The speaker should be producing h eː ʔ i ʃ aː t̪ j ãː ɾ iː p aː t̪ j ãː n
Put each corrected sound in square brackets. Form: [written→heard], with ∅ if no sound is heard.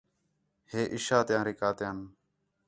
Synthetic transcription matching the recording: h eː ʔ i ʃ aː t̪ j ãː ɾ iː [p→k] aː t̪ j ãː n